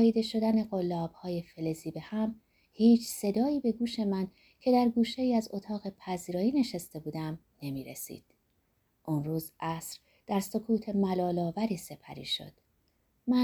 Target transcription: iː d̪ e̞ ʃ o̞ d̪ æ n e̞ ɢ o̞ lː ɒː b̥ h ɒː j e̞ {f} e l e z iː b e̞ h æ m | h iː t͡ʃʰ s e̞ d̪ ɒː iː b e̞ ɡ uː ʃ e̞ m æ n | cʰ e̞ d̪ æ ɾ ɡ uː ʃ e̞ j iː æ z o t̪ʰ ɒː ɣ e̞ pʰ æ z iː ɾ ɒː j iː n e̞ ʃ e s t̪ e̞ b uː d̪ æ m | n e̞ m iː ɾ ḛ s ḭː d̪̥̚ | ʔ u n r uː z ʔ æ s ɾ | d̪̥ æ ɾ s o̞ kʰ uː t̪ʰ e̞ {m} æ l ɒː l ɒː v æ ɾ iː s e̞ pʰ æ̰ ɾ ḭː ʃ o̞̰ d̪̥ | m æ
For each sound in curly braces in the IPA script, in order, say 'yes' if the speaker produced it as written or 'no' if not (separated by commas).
yes, yes